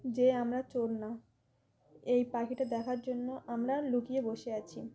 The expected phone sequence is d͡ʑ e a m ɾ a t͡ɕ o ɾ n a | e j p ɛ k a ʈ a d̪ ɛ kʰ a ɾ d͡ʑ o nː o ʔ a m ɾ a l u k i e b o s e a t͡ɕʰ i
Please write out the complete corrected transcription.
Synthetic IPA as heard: d͡ʑ e a m ɾ a t͡ɕ o ɾ n a | e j p a k i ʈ a d̪ ɛ kʰ a ɾ d͡ʑ o nː o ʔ a m ɾ a l u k i e b o ʃ e a t͡ɕʰ i